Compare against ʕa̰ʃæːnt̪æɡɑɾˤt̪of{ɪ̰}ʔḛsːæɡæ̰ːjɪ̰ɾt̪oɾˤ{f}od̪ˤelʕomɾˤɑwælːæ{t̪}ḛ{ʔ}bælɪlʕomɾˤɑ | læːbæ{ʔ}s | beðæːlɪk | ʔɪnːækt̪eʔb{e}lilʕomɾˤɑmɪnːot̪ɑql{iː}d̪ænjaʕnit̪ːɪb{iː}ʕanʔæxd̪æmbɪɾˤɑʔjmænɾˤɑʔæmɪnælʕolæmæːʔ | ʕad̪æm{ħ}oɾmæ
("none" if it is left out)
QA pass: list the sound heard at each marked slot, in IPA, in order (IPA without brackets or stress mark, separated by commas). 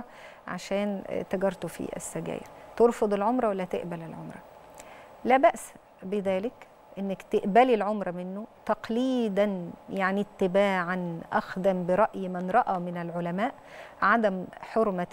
ḭ, f, t̪, ʔ, ʔ, æ, iː, aː, ħ